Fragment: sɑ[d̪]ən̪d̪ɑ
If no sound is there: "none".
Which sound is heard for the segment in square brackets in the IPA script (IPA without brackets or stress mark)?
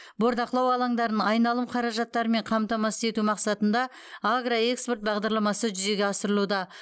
t̪